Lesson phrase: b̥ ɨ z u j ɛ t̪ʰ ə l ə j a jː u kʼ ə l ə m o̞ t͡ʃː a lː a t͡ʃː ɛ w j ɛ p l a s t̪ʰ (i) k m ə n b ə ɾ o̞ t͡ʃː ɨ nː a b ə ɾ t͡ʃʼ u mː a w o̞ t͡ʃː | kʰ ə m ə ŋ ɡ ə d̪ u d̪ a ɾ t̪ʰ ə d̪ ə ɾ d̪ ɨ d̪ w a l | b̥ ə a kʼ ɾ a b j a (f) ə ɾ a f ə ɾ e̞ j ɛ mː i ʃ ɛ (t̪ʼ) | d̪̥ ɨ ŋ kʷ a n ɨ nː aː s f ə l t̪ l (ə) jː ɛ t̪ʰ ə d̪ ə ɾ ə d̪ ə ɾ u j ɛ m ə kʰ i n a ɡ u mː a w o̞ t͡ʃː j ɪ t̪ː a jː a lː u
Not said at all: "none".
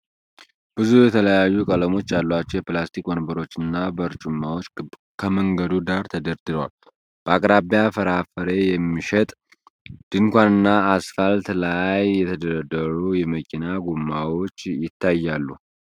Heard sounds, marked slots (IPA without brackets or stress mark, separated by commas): i, f, t̪ʼ, a